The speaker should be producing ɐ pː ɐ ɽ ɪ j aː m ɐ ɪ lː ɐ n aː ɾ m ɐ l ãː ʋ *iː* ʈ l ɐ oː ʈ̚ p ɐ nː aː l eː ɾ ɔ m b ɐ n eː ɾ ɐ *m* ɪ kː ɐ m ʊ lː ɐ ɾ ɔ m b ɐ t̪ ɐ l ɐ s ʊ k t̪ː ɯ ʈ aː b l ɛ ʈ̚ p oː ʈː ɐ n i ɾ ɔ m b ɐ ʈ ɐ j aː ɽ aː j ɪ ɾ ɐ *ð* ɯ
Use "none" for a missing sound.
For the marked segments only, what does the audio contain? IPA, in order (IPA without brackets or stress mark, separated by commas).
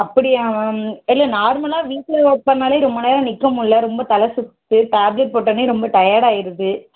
iː, n, ð